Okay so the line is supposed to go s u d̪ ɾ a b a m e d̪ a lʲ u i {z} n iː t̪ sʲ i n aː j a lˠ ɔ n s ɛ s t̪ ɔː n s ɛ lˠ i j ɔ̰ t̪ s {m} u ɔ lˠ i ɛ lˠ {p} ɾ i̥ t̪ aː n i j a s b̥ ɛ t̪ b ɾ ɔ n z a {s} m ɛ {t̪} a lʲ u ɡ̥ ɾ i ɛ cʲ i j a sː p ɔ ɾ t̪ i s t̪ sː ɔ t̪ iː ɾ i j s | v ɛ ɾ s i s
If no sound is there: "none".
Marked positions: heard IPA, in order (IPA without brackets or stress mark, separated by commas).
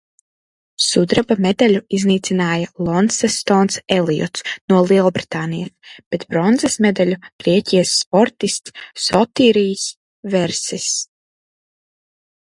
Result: z, n, b, s, d̪